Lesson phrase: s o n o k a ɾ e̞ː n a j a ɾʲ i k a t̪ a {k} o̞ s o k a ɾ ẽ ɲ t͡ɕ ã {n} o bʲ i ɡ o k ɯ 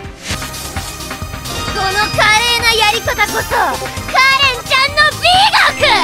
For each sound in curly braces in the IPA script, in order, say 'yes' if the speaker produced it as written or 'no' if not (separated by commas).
yes, no